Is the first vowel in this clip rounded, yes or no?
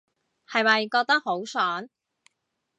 no